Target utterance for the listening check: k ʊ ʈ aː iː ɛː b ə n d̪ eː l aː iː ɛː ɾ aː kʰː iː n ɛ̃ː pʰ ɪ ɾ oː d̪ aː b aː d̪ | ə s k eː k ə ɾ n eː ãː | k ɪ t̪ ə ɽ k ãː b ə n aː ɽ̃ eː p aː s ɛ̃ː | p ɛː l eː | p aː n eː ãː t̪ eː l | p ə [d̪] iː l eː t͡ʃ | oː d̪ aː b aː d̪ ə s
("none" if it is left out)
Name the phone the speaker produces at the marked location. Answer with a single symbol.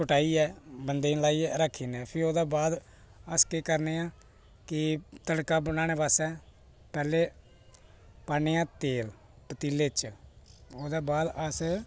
t̪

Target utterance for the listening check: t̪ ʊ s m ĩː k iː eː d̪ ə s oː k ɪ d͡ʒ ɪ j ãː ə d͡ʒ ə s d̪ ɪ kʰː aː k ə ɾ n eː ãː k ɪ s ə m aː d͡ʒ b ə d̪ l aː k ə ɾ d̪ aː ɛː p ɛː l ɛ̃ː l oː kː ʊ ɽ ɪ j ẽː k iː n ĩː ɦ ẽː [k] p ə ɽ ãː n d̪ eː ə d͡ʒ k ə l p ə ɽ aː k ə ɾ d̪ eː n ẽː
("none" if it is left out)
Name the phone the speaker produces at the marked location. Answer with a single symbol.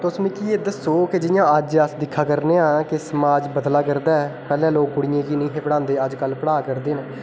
none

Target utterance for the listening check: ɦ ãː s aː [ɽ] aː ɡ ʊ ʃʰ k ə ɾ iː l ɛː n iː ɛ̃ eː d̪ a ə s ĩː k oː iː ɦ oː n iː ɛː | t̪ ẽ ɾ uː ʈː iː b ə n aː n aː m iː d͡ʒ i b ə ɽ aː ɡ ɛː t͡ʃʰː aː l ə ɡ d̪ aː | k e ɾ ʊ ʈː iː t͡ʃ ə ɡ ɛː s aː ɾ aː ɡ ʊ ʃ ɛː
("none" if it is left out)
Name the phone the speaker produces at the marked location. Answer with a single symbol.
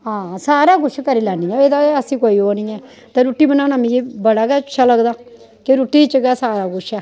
ɾ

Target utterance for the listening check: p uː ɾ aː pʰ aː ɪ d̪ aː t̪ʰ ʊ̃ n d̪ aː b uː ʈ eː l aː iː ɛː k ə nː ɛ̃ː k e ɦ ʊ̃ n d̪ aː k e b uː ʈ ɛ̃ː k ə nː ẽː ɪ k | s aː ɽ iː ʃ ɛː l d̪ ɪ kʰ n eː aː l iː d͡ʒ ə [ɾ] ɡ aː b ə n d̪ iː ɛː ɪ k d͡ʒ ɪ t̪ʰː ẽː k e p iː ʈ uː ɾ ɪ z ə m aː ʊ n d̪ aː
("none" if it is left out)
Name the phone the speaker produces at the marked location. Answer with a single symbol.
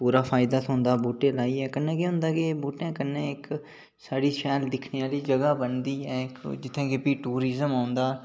none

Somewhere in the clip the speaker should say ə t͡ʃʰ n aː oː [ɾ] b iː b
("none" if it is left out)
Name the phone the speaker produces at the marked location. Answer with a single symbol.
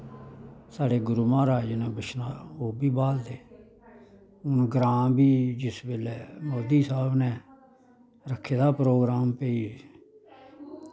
none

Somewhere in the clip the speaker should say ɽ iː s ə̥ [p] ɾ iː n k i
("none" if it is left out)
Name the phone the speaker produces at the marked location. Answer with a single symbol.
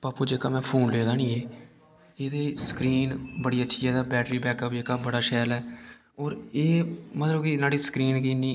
k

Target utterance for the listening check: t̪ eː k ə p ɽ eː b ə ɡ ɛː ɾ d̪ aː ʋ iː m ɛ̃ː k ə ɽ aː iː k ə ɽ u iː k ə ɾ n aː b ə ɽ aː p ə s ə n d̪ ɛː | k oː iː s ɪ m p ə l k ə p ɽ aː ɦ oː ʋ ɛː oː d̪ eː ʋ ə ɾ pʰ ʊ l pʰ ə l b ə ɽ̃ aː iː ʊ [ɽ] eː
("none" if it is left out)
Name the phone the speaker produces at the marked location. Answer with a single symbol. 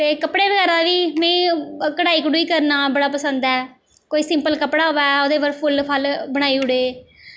ɽ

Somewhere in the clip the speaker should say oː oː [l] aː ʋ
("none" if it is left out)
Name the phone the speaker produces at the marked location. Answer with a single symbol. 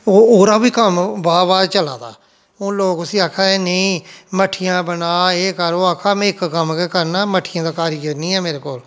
ɾ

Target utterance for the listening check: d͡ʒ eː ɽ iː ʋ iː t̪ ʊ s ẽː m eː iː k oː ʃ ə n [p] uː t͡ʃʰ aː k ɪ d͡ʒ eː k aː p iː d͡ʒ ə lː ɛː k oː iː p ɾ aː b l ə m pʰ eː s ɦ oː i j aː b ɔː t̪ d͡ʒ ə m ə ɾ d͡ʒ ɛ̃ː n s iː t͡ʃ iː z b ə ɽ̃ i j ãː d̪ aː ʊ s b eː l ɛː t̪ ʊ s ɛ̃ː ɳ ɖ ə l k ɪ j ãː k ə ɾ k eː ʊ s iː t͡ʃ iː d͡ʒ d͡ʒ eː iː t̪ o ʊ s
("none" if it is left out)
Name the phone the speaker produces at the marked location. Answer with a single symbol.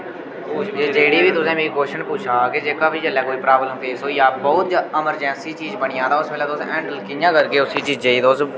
p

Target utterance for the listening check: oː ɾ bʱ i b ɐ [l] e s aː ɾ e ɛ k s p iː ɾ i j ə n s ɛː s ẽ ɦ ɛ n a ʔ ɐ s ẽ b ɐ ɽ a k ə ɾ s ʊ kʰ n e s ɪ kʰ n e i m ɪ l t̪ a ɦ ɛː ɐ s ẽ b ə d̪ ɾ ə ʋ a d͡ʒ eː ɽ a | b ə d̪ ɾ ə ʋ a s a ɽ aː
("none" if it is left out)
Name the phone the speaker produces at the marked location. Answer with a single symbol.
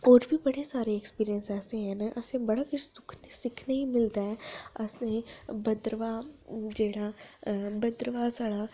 ɽ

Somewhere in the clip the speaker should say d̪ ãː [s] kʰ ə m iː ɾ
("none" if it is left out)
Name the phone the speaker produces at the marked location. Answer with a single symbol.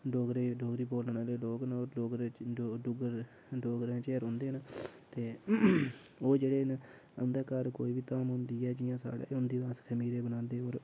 s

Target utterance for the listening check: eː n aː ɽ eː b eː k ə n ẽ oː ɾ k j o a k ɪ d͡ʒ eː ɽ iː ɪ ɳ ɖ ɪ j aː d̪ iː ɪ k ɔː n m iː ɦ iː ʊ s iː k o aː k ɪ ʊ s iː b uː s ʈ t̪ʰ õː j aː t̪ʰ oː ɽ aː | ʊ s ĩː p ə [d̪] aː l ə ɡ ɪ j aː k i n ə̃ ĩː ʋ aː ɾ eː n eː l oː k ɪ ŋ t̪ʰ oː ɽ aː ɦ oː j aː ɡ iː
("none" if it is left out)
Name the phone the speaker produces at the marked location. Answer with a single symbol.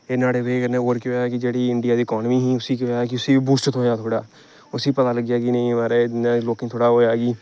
t̪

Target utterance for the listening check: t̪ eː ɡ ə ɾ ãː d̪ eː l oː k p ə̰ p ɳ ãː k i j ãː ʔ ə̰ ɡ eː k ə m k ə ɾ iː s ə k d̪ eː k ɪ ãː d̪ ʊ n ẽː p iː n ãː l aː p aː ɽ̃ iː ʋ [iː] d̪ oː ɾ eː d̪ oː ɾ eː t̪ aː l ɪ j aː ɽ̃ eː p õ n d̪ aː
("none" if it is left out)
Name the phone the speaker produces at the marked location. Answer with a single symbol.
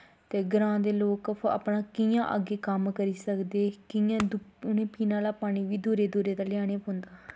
iː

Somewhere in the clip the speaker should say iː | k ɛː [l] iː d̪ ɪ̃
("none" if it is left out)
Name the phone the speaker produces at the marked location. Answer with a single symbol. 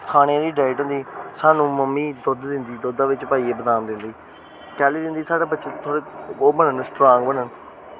l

